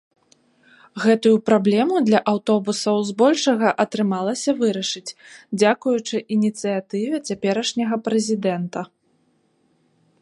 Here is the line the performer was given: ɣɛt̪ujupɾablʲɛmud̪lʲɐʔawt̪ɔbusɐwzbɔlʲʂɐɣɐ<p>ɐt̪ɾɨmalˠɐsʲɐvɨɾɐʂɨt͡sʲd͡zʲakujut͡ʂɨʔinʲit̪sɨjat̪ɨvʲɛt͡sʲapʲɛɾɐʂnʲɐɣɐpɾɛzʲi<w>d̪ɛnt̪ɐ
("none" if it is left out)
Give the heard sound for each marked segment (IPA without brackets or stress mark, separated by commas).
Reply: ʔ, none